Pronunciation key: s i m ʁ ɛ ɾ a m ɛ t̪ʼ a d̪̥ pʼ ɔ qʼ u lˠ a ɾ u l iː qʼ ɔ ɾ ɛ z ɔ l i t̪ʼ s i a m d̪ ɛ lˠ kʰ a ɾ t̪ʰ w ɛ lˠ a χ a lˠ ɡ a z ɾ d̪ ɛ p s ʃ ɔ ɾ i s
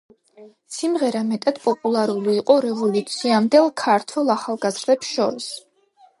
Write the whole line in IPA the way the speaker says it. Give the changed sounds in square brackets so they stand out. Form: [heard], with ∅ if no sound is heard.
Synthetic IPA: s i m ʁ ɛ ɾ a m ɛ t̪ʼ a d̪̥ pʼ ɔ [pʼ] u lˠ a ɾ u l iː qʼ ɔ ɾ ɛ [v] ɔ l i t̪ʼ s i a m d̪ ɛ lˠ kʰ a ɾ t̪ʰ w ɛ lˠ a χ a lˠ ɡ a z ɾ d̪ ɛ p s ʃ ɔ ɾ i s